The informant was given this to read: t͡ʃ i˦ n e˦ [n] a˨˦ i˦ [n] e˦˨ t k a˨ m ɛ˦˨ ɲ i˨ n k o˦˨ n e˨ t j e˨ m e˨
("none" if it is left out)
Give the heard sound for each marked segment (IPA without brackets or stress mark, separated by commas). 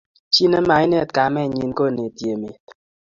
m, n